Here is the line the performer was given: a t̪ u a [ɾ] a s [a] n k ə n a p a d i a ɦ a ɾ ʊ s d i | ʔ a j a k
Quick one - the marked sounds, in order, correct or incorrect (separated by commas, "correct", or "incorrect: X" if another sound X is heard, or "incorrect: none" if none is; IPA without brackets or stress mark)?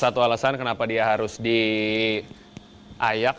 incorrect: l, correct